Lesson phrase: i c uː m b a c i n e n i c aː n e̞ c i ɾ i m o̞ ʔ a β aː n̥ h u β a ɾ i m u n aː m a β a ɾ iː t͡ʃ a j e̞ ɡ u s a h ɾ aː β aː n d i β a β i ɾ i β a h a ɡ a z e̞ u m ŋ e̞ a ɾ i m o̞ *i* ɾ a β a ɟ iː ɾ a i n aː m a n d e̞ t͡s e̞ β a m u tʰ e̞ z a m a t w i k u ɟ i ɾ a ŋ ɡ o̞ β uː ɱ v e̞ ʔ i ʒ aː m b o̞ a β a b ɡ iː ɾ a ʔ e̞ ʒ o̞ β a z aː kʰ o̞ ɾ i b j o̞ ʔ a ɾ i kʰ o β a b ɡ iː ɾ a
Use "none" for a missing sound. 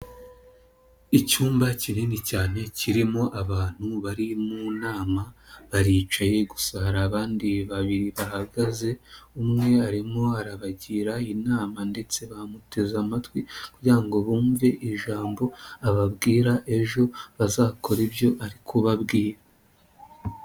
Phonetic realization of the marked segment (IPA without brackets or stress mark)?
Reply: a